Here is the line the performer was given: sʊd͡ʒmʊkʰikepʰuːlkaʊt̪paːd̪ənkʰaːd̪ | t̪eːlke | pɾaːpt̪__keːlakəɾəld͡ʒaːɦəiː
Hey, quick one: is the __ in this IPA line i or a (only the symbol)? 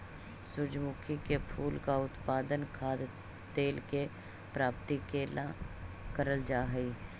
i